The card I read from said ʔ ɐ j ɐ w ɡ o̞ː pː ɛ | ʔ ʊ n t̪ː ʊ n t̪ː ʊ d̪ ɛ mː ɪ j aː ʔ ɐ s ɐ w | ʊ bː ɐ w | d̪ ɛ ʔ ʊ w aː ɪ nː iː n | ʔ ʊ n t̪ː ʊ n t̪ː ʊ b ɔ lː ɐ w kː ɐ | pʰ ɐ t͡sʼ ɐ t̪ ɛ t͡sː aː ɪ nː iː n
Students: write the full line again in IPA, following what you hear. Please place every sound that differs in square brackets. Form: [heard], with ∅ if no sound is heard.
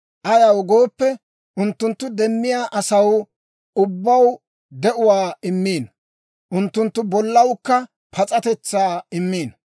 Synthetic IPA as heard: ʔ ɐ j ɐ w ɡ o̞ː pː ɛ | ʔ ʊ n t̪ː ʊ n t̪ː ʊ d̪ ɛ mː ɪ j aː ʔ ɐ s ɐ w | ʊ bː ɐ w | d̪ ɛ ʔ ʊ w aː ɪ [mː] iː n | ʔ ʊ n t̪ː ʊ n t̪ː ʊ b ɔ lː ɐ w kː ɐ | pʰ ɐ t͡sʼ ɐ t̪ ɛ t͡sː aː ɪ [mː] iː n

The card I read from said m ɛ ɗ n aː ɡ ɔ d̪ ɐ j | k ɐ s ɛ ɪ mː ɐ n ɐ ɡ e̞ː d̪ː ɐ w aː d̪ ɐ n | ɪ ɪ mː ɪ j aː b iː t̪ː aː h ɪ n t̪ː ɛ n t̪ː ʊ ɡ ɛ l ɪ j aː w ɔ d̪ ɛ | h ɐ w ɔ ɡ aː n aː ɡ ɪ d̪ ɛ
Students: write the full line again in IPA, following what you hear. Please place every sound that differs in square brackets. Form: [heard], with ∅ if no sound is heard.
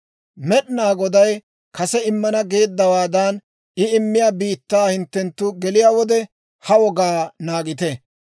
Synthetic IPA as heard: m ɛ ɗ n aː ɡ ɔ d̪ ɐ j | k ɐ s ɛ ɪ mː ɐ n ɐ ɡ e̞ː d̪ː ɐ w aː d̪ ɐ n | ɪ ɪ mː ɪ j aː b iː t̪ː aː h ɪ n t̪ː ɛ n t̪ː ʊ ɡ ɛ l ɪ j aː w ɔ d̪ ɛ | h ɐ w ɔ ɡ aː n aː ɡ ɪ [t̪] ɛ

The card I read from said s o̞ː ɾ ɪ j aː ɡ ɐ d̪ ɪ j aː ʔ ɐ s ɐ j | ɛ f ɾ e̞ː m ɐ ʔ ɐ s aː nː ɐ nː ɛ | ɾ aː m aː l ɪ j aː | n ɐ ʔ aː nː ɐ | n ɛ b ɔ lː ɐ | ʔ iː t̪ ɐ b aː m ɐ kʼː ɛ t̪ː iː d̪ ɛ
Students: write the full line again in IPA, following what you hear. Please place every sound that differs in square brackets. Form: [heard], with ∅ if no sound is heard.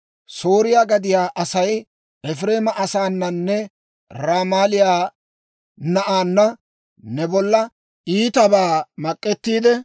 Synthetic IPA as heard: s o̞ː ɾ ɪ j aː ɡ ɐ d̪ ɪ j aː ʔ ɐ s ɐ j | ɛ f ɾ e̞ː m ɐ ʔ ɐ s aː nː ɐ nː ɛ | ɾ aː m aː l ɪ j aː | n ɐ ʔ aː nː ɐ | n ɛ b ɔ lː ɐ | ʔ iː t̪ ɐ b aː m ɐ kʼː ɛ t̪ː iː d̪ ɛ

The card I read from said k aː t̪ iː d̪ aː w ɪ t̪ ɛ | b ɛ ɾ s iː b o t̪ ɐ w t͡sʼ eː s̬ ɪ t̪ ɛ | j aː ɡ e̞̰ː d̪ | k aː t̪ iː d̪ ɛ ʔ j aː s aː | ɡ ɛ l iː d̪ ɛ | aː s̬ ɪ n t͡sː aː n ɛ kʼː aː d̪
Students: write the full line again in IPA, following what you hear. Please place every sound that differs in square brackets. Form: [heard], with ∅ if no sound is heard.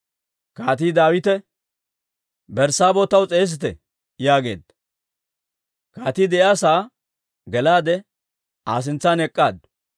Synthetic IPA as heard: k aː t̪ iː d̪ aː w ɪ t̪ ɛ | b ɛ ɾ s [aː] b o t̪ ɐ w t͡sʼ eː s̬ ɪ t̪ ɛ | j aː ɡ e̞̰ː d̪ | k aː t̪ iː d̪ ɛ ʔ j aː s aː | ɡ ɛ l [aː] d̪ ɛ | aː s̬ ɪ n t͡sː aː n ɛ kʼː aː d̪

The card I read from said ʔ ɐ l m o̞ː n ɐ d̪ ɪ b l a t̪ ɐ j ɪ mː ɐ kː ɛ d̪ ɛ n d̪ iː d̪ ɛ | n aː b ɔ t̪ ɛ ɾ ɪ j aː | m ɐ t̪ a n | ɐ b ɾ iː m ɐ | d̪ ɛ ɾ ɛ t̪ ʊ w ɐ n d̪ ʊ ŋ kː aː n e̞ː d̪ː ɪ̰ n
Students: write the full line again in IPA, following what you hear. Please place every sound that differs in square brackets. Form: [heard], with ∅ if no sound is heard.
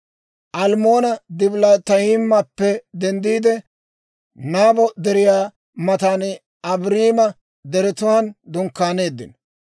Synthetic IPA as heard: ʔ ɐ l m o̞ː n ɐ d̪ ɪ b l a t̪ ɐ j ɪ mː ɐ [pː] ɛ d̪ ɛ n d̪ iː d̪ ɛ | n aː b ɔ [d̪] ɛ ɾ ɪ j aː | m ɐ t̪ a n | ɐ b ɾ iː m ɐ | d̪ ɛ ɾ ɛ t̪ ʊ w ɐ n d̪ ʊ ŋ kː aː n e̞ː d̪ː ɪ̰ n

